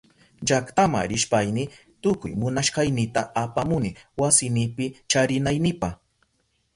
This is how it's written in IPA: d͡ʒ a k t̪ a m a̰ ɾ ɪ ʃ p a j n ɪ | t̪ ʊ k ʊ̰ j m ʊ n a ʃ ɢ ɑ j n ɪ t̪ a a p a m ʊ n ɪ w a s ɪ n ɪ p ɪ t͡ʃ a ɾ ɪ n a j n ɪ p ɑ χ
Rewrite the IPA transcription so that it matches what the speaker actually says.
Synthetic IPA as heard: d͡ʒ a k t̪ a m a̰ ɾ ɪ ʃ p a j n ɪ | t̪ ʊ k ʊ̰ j m ʊ n a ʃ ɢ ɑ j n ɪ t̪ a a p a m ʊ n ɪ w a s ɪ n ɪ p ɪ t͡ʃ a ɾ ɪ n a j n ɪ p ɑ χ